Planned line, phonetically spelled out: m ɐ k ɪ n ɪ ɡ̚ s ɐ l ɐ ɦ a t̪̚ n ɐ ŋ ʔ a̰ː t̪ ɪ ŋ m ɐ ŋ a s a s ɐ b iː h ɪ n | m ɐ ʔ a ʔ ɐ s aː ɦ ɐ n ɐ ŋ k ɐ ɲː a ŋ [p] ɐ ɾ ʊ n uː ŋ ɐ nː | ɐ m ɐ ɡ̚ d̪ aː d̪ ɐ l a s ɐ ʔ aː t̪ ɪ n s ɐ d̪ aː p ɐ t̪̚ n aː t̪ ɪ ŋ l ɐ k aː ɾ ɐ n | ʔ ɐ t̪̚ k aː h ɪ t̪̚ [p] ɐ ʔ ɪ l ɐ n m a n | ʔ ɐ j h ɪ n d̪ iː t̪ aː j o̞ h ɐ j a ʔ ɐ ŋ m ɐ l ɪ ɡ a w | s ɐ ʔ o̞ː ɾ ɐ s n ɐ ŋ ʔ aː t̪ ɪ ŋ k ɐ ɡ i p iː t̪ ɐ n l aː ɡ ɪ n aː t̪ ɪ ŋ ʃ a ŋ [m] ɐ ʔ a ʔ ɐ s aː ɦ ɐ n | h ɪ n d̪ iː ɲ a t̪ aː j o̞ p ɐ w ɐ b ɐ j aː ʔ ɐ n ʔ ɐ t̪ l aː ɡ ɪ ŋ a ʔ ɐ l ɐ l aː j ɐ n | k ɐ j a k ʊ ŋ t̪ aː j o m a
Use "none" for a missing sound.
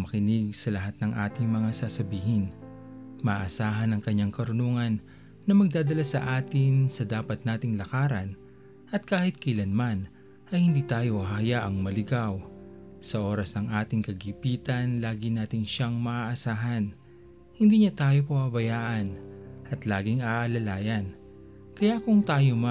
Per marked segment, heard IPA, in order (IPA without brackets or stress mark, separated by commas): k, k, m